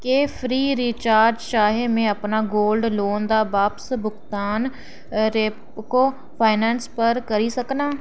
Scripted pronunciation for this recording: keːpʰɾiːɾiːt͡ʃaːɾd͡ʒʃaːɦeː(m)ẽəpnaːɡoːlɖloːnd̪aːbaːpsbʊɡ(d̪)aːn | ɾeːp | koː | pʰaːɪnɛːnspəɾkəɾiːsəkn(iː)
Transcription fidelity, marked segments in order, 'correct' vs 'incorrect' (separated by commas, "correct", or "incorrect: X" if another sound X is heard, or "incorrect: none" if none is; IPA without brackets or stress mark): correct, incorrect: t̪, incorrect: aː